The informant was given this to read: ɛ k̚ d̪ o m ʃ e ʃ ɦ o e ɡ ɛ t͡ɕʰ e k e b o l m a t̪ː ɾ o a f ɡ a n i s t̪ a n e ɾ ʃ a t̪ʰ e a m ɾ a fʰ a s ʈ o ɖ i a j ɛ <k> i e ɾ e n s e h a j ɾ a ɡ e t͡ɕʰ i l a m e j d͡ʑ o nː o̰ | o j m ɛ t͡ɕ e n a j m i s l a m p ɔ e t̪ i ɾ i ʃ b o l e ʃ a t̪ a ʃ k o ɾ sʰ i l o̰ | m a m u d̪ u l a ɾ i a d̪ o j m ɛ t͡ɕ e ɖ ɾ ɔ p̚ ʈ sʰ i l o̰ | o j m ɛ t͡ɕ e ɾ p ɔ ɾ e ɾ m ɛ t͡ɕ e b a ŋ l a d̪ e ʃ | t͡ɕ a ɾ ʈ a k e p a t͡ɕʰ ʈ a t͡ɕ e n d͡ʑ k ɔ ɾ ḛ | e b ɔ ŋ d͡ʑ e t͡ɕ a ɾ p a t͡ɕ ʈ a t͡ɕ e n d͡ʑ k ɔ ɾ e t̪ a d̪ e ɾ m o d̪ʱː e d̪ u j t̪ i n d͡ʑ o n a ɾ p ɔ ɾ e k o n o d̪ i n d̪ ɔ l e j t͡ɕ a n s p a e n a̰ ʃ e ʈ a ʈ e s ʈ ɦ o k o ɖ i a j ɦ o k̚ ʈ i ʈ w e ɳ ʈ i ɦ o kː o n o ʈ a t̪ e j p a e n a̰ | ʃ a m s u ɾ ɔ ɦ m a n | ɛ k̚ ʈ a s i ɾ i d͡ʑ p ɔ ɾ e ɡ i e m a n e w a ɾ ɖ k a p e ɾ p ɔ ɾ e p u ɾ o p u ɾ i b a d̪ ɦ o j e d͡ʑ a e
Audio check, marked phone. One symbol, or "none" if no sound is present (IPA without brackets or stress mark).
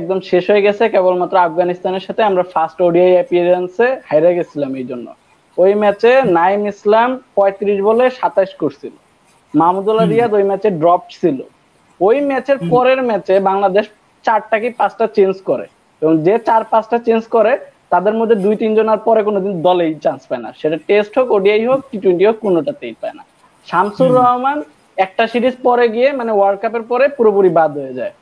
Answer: p